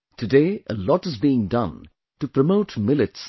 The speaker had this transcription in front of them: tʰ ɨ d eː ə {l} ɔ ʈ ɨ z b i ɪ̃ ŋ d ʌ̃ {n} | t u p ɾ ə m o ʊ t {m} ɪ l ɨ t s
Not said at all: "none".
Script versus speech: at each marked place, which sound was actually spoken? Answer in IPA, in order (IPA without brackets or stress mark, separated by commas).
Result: l, n, m